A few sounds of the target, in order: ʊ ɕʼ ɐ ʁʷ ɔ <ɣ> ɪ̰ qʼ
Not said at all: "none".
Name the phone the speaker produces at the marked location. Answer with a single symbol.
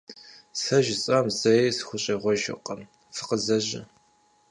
ʒ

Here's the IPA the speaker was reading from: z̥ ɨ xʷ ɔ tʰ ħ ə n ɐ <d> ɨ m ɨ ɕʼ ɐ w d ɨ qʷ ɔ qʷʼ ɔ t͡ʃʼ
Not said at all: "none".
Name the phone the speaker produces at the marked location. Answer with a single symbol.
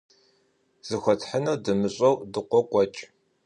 d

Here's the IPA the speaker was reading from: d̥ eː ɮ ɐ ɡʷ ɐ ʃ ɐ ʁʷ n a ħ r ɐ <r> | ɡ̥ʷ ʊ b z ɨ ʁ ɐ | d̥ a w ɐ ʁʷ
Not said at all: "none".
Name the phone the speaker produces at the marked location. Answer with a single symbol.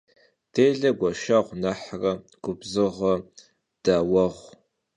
none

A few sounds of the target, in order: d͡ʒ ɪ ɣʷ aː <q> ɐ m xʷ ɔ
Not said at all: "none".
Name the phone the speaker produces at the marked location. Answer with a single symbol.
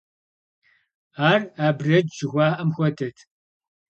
ʔ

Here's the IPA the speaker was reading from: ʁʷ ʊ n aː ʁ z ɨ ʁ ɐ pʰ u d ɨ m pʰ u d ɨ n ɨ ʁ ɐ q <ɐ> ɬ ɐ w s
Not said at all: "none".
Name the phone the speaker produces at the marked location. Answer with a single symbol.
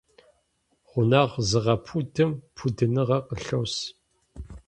ə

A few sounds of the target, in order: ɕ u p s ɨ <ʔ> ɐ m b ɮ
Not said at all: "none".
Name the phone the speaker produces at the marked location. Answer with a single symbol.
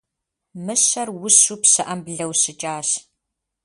ʔ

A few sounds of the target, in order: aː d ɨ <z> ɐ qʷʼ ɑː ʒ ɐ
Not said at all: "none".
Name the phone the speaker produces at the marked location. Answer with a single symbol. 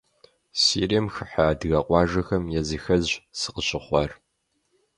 ɣ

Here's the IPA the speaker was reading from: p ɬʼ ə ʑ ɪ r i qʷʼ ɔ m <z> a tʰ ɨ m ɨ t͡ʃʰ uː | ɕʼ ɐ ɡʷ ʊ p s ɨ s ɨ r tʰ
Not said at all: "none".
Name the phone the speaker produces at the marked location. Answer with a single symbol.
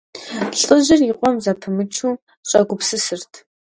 z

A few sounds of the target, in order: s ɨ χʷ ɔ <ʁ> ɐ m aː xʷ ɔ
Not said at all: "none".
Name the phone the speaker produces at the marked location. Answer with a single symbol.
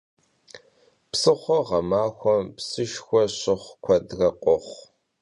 ʁ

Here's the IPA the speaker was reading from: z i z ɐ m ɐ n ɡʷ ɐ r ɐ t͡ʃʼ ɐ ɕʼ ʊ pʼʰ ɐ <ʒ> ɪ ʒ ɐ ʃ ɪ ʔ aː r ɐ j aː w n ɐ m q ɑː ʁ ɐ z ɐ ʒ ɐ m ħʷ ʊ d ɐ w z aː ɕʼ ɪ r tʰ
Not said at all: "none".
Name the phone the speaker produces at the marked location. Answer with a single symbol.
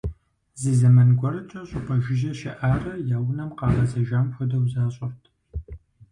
ʒ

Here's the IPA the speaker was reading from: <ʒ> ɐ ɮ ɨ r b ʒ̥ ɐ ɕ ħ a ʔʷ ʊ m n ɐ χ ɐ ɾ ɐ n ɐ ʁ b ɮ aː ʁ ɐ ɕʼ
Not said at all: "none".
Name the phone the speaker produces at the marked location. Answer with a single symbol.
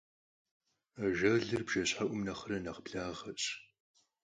ʒ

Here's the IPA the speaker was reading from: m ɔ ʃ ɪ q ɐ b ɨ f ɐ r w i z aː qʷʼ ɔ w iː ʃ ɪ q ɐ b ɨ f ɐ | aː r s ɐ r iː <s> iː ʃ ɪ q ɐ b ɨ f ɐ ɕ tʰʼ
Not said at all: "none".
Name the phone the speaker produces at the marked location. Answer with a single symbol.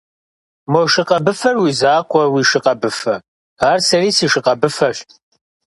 s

